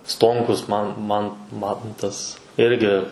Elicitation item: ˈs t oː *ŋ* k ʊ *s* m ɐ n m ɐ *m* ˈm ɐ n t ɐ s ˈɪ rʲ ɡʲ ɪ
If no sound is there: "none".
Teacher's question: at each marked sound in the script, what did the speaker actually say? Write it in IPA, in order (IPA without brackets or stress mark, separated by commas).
ŋ, s, n